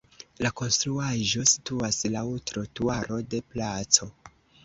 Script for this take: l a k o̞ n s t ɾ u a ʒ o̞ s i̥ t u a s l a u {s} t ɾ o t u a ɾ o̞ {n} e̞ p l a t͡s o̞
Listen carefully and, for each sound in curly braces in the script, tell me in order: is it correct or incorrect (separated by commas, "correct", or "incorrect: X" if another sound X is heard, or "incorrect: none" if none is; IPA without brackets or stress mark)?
incorrect: none, incorrect: d